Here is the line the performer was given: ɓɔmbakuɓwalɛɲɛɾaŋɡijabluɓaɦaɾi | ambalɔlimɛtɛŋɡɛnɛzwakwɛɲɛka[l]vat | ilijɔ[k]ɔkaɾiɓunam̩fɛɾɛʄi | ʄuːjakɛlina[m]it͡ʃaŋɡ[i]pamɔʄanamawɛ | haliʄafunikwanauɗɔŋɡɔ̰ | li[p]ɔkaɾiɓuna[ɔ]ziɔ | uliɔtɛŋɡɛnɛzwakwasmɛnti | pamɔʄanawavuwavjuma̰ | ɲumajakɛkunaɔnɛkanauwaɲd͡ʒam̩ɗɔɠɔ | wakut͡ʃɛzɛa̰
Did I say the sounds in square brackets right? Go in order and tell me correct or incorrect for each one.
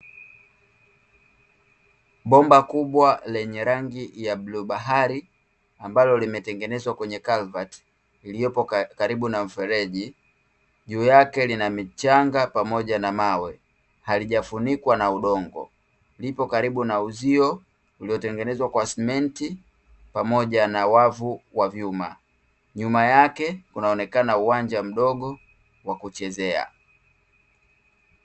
correct, incorrect: p, correct, incorrect: a, correct, incorrect: u

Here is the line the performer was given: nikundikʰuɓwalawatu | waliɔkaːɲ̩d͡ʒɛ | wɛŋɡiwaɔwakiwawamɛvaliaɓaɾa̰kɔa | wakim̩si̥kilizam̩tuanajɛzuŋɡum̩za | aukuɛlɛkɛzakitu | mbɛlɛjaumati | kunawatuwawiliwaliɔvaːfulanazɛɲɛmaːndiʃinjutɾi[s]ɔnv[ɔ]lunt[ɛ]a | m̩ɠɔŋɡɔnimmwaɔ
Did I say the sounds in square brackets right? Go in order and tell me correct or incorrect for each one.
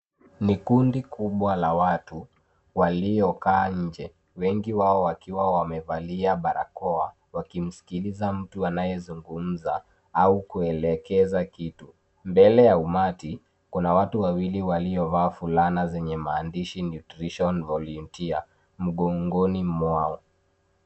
incorrect: ʃ, correct, incorrect: i

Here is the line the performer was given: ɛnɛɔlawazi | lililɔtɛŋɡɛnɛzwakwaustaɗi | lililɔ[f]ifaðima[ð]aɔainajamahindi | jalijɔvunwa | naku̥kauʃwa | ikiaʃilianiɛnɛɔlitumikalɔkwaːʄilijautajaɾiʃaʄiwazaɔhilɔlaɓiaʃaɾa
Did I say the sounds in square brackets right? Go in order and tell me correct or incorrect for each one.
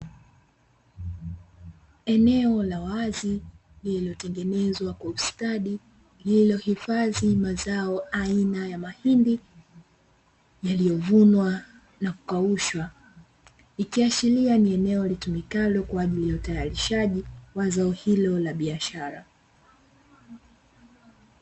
incorrect: h, incorrect: z

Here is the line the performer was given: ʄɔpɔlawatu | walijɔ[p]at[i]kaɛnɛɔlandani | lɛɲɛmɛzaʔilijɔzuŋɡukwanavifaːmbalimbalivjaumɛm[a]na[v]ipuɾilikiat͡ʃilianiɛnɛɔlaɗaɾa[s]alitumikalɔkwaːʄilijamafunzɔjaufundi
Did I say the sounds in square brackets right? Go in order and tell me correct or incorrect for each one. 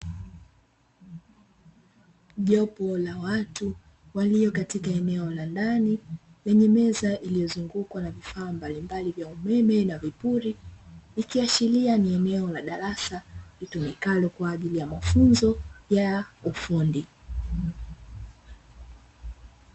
incorrect: k, correct, incorrect: ɛ, correct, correct

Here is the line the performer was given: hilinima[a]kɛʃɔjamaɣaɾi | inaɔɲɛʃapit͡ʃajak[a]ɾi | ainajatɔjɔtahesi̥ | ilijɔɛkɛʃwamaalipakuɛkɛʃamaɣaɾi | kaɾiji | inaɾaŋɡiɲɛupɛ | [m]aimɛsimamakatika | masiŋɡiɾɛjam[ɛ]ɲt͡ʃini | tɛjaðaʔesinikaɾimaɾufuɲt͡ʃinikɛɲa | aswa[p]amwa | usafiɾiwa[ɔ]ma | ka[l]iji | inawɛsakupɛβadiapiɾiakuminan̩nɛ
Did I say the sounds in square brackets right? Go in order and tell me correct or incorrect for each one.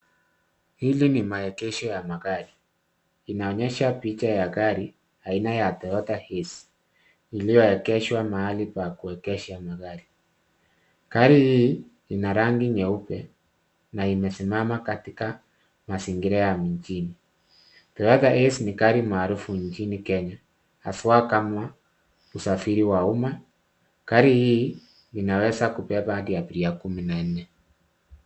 incorrect: ɛ, correct, incorrect: n, incorrect: i, incorrect: k, incorrect: u, incorrect: ɾ

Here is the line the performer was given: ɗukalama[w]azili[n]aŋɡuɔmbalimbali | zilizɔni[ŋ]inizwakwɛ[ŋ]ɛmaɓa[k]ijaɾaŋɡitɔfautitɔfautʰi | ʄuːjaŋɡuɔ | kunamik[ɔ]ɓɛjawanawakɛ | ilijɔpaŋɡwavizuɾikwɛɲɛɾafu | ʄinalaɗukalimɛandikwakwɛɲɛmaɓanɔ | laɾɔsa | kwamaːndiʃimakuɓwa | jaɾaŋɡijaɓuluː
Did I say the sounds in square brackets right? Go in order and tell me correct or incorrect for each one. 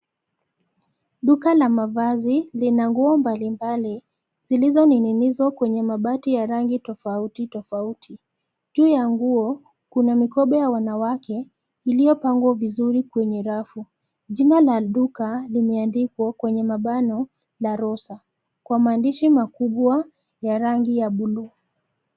incorrect: v, correct, incorrect: n, incorrect: ɲ, incorrect: t, correct

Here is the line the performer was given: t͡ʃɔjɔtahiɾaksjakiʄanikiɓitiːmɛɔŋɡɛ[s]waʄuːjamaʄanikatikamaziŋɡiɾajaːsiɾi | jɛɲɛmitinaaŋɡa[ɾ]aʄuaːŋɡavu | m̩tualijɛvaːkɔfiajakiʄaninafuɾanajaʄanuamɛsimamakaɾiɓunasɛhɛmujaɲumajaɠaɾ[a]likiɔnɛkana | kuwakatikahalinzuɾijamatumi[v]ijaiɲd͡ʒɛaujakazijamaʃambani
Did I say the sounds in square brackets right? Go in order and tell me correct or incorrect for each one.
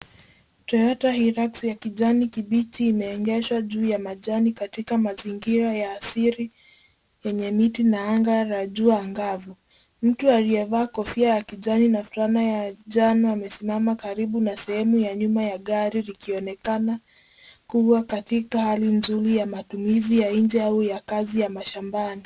incorrect: ʃ, correct, incorrect: i, incorrect: z

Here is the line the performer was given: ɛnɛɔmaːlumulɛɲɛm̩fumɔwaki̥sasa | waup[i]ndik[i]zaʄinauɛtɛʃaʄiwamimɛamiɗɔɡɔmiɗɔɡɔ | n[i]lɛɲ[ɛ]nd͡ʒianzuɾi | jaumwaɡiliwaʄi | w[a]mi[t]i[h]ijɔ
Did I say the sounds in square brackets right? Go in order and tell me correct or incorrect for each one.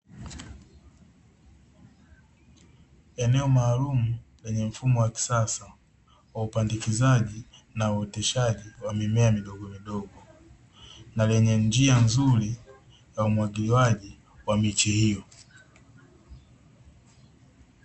incorrect: a, correct, incorrect: a, correct, correct, incorrect: t͡ʃ, correct

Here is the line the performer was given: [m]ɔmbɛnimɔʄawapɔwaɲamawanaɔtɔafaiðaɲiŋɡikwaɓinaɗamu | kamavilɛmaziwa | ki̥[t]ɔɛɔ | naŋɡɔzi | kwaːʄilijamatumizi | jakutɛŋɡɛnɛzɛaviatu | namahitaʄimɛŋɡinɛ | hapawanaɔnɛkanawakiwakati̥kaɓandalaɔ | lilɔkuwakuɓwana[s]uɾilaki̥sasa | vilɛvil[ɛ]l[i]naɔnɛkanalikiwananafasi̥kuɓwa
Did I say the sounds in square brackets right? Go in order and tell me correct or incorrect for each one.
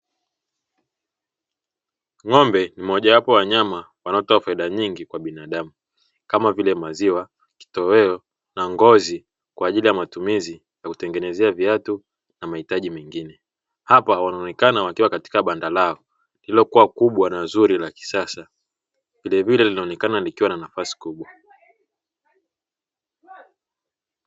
incorrect: ŋ, correct, incorrect: z, correct, correct

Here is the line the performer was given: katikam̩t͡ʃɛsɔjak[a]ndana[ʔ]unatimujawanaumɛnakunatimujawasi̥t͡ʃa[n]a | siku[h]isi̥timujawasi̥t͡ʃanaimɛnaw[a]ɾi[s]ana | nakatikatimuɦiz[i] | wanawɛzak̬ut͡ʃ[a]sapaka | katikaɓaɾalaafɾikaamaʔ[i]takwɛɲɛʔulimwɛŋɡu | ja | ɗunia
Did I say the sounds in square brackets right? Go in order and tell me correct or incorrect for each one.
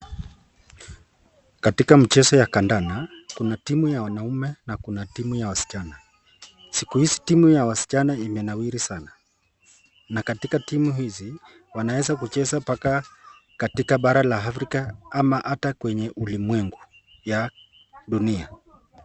correct, incorrect: k, correct, correct, incorrect: i, correct, correct, incorrect: ɛ, incorrect: a

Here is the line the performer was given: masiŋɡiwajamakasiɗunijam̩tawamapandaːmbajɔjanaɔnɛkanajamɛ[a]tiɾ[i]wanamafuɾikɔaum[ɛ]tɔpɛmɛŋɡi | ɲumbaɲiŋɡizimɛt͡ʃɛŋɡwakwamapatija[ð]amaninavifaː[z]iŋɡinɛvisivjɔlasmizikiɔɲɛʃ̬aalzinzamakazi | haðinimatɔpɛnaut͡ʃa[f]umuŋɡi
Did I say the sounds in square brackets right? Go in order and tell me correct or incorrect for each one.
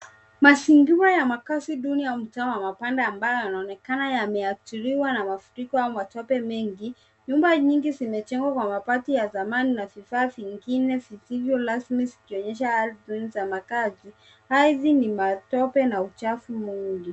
correct, correct, incorrect: a, incorrect: z, incorrect: v, correct

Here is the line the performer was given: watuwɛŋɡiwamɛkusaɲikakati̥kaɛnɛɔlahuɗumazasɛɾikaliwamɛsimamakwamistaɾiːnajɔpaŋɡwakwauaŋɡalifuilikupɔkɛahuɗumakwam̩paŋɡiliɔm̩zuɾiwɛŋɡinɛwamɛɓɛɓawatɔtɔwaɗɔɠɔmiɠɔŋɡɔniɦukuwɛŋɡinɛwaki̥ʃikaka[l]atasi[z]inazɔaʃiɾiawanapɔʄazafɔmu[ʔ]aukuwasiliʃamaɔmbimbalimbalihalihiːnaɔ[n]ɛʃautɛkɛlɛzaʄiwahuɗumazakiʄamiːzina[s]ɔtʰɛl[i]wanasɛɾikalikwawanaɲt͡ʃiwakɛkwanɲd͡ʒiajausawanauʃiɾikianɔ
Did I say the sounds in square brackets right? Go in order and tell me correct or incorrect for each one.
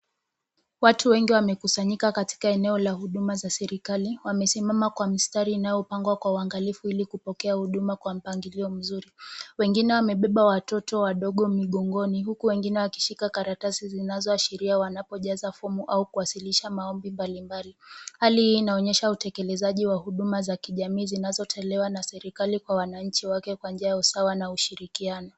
incorrect: ɾ, correct, correct, incorrect: ɲ, incorrect: z, incorrect: ɛ

